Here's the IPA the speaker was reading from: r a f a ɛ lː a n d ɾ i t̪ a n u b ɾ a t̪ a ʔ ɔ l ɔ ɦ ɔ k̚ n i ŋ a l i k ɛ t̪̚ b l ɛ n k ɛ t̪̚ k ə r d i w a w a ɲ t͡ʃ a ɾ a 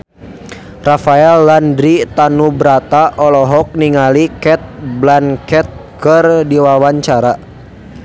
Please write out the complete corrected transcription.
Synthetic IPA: r a f a ɛ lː a n d ɾ i t̪ a n u b ɾ a t̪ a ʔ ɔ l ɔ ɦ ɔ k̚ n i ŋ a l i k ɛ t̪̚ b l a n k ɛ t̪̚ k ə r d i w a w a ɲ t͡ʃ a ɾ a